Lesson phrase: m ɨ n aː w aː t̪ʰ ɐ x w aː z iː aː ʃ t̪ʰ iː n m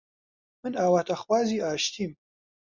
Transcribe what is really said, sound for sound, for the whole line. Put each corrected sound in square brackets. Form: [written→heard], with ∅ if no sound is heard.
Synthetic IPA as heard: m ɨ n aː w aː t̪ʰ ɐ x w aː z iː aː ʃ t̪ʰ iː [n→∅] m